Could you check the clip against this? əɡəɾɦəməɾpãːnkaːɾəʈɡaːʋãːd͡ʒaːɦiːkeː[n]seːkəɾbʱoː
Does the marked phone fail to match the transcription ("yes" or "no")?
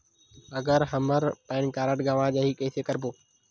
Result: yes